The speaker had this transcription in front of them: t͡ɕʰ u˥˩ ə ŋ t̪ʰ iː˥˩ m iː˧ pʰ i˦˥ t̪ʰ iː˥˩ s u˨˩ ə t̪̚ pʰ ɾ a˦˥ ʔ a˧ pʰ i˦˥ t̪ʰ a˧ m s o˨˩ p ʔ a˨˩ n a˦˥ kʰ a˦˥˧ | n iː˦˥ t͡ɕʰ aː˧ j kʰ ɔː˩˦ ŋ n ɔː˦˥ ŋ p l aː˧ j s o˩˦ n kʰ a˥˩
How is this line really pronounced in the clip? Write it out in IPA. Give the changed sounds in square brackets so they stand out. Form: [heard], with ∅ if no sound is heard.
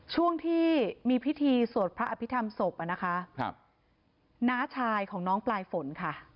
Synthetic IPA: t͡ɕʰ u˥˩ ə ŋ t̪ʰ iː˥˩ m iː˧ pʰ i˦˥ t̪ʰ [iː˧] s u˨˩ ə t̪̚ pʰ ɾ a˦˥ ʔ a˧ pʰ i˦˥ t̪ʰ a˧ m s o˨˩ p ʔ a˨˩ n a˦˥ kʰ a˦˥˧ | n [aː˦˥] t͡ɕʰ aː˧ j kʰ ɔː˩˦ ŋ n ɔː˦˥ ŋ p l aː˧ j [f] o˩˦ n kʰ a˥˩